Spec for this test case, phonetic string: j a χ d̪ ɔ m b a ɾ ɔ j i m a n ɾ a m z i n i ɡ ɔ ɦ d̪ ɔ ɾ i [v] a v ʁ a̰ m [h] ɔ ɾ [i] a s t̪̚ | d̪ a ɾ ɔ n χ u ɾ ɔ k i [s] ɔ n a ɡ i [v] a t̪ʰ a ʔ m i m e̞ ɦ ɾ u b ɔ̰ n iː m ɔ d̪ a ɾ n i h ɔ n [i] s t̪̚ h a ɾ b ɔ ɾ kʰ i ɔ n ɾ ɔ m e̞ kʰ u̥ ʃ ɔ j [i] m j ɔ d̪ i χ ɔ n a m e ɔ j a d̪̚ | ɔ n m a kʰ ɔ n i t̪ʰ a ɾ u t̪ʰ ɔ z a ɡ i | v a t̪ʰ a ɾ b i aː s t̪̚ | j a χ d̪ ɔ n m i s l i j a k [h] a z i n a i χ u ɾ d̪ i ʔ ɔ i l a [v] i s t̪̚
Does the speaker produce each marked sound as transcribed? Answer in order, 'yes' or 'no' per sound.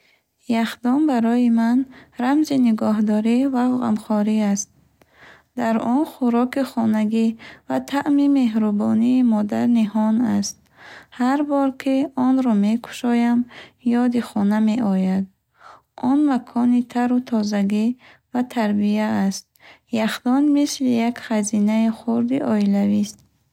yes, no, yes, no, yes, no, no, no, yes

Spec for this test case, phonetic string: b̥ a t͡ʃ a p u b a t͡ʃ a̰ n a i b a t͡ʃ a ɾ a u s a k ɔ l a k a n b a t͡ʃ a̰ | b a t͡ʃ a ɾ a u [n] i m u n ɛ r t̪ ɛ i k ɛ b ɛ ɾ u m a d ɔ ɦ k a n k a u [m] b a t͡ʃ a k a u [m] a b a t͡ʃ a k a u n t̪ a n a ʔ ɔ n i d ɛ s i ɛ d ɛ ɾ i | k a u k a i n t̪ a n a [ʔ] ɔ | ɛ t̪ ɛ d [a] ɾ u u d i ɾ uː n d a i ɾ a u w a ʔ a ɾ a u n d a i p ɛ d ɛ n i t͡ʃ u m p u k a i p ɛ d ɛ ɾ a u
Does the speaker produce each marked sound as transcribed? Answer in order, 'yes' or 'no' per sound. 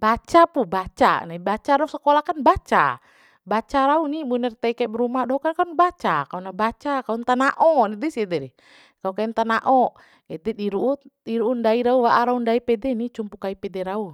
yes, no, no, yes, no

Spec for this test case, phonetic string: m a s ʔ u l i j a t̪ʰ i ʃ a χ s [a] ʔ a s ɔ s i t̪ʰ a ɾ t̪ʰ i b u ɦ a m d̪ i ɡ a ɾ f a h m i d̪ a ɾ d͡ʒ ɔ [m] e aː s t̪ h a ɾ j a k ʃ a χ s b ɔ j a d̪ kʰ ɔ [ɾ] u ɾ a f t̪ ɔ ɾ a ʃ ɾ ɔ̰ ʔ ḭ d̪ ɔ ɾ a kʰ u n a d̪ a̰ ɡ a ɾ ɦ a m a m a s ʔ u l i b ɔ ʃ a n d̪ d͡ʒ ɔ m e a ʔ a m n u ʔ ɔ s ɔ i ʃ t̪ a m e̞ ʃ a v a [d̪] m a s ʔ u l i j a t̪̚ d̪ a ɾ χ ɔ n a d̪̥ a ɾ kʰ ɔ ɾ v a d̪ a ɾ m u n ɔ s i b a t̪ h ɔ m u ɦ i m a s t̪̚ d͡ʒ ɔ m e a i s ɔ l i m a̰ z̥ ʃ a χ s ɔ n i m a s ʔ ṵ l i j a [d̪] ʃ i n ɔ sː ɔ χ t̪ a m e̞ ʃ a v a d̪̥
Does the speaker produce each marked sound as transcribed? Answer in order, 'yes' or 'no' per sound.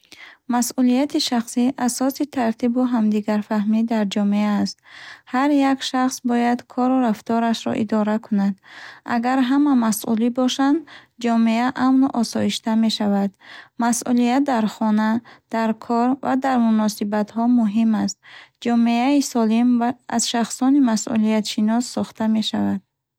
no, yes, yes, yes, no

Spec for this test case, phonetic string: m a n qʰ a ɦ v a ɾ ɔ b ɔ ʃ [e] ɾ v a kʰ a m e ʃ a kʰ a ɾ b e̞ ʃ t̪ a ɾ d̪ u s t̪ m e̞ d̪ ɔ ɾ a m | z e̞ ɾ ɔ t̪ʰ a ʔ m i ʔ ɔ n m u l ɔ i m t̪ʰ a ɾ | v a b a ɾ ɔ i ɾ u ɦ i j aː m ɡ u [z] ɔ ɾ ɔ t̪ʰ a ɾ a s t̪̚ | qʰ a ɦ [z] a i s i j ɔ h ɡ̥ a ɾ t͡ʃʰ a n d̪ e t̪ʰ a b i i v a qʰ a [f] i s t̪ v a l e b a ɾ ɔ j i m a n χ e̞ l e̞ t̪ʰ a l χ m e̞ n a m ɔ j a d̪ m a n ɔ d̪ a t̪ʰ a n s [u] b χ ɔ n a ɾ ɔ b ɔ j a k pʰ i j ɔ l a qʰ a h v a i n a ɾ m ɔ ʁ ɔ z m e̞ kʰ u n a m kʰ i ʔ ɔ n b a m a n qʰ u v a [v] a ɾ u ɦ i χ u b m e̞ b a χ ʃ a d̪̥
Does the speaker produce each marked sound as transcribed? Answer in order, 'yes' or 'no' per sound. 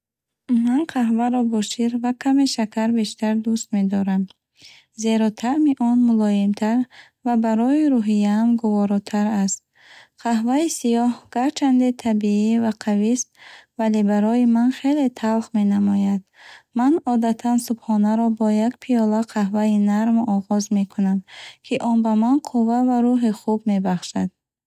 no, no, no, no, yes, yes

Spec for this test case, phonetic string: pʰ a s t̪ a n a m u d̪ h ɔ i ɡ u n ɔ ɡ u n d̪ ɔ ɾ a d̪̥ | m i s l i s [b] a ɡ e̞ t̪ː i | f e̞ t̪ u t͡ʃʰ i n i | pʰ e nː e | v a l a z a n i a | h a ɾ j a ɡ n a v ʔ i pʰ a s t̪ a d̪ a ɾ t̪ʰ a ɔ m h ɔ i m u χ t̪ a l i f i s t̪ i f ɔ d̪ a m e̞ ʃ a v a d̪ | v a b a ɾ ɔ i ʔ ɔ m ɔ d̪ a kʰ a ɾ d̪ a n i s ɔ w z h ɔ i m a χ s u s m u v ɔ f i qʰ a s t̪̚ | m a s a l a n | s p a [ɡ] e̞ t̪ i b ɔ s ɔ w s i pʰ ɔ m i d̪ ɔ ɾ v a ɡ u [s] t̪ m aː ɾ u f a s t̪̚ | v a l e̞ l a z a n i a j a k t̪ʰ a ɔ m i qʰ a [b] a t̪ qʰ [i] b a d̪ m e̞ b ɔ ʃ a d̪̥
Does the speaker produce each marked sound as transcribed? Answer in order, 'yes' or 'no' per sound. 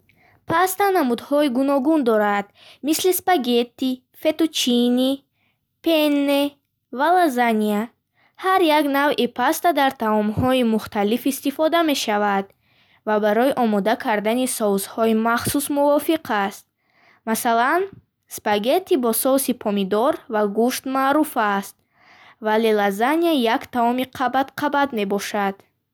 no, yes, no, yes, no

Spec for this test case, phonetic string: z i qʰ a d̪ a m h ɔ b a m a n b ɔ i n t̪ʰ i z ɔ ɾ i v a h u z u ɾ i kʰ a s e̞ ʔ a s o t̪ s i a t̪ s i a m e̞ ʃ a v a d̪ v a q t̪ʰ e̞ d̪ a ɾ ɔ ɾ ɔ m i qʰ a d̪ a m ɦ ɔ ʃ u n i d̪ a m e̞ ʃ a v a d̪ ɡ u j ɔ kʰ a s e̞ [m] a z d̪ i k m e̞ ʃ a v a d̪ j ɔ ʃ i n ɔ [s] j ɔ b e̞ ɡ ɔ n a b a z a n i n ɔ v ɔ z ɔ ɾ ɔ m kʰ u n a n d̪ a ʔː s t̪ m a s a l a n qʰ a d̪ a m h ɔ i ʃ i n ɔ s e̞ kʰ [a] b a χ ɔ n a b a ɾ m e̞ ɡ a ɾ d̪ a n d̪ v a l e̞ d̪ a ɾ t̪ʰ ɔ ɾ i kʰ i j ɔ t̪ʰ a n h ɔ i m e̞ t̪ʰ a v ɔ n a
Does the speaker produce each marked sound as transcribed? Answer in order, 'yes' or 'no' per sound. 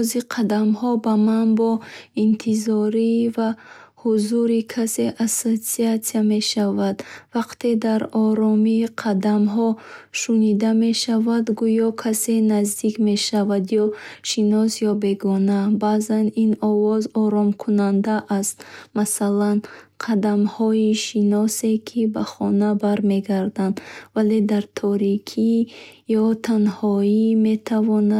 no, yes, no

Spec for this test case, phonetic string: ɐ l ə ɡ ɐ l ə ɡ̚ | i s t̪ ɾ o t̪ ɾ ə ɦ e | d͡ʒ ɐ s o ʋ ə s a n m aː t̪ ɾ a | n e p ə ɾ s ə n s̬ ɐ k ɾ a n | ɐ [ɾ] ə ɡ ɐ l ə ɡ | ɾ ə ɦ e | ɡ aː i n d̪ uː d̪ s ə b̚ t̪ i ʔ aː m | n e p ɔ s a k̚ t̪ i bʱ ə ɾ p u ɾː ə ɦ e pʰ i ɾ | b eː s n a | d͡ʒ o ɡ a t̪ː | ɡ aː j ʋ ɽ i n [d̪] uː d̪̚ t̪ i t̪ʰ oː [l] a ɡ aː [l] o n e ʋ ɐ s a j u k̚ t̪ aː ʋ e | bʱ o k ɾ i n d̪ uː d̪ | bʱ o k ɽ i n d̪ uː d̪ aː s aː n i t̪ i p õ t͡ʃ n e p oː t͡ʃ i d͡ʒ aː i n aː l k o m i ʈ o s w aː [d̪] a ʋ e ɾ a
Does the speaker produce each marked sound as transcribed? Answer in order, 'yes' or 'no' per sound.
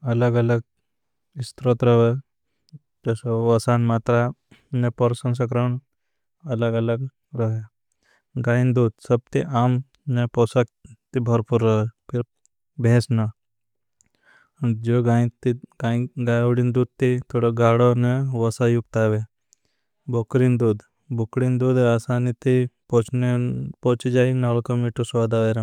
no, yes, no, no, yes

